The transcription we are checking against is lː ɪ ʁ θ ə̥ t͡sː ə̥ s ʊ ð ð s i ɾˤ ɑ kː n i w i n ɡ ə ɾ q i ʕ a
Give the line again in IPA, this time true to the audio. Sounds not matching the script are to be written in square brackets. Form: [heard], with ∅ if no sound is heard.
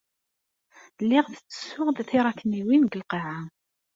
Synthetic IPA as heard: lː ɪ ʁ θ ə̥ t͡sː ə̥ s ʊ [ʁ] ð [θ] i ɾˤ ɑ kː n i w i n ɡ ə [l] q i ʕ a